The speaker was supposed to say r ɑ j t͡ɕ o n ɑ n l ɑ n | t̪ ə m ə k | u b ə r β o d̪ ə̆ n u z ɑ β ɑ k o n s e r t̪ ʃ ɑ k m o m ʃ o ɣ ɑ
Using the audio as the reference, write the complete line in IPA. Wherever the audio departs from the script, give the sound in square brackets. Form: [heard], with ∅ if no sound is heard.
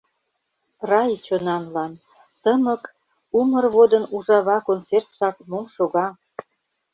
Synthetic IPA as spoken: r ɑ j t͡ɕ o n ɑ n l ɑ n | t̪ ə m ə k | u [m] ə r β o d̪ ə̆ n u [ʒ] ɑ β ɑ k o n [t͡s] e r t̪ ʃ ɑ k m o m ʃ o ɣ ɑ